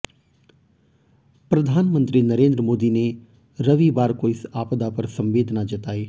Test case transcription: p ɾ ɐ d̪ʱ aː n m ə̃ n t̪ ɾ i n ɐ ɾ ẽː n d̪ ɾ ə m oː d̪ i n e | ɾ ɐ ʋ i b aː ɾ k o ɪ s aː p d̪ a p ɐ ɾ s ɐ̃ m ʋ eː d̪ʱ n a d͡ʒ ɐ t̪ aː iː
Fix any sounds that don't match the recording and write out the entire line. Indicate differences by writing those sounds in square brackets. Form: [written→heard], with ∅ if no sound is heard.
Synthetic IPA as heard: p ɾ ɐ d̪ʱ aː n m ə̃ n t̪ ɾ i n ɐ ɾ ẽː n d̪ ɾ ə m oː d̪ i n e | ɾ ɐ ʋ i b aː ɾ k o ɪ s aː p d̪ a p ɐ ɾ s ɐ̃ m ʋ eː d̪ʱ n a d͡ʒ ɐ t̪ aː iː

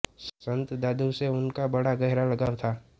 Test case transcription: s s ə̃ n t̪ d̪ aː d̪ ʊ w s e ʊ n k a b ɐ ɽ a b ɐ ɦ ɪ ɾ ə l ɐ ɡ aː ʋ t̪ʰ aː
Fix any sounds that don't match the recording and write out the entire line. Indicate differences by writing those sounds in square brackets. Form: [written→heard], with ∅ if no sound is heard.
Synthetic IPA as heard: s s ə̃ n t̪ d̪ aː d̪ [ʊ→u] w s e ʊ n k a b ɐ ɽ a [b→ɡ] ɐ ɦ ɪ ɾ [ə→a] l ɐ ɡ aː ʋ t̪ʰ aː

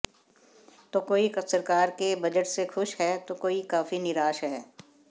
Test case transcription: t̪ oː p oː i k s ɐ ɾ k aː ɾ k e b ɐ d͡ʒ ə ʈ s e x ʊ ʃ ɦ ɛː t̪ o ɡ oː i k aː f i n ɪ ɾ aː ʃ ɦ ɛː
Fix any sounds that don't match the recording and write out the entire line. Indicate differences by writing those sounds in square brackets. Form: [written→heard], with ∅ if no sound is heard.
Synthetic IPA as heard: t̪ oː [p→k] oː i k s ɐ ɾ k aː ɾ k e b ɐ d͡ʒ ə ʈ s e x ʊ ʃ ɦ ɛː t̪ o [ɡ→k] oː i k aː f i n ɪ ɾ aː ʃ ɦ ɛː

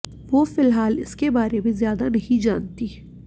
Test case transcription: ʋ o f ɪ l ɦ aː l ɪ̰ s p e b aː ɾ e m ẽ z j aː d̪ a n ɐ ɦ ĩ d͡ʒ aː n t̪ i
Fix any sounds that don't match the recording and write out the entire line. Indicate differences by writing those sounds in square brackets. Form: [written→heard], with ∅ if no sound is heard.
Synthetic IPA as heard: ʋ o f ɪ l ɦ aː l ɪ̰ s [p→k] e b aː ɾ e m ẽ z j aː d̪ a n ɐ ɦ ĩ d͡ʒ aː n t̪ i

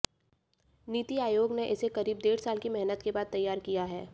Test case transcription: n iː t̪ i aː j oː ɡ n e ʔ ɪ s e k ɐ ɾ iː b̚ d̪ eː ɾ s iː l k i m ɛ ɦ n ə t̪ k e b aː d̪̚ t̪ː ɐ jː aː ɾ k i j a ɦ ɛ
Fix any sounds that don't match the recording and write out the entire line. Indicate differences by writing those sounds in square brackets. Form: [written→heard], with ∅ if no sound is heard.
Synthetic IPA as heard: n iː t̪ i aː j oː ɡ n e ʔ ɪ s e k ɐ ɾ iː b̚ d̪ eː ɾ s [iː→aː] l k i m ɛ ɦ n ə t̪ k e b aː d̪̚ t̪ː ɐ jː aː ɾ k i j a ɦ [ɛ→ɛː]

